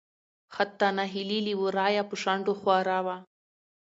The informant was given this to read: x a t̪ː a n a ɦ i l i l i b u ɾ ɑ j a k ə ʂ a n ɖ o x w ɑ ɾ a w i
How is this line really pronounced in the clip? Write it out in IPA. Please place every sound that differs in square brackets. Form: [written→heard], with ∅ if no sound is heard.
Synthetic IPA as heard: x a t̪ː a n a ɦ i l i l i [b→w] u ɾ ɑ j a [k→p] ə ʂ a [n→ɳ] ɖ o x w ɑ ɾ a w [i→a]